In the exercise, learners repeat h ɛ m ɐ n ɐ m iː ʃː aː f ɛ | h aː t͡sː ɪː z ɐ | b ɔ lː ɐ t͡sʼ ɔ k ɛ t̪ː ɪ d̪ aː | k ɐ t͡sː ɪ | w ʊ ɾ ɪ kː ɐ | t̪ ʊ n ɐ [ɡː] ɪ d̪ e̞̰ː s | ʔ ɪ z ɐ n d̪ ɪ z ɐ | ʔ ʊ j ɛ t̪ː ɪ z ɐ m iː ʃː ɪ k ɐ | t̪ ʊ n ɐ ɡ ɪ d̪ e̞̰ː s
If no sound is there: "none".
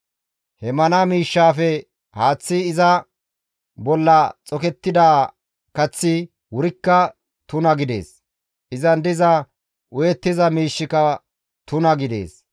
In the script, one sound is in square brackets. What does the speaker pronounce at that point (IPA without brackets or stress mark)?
ɡ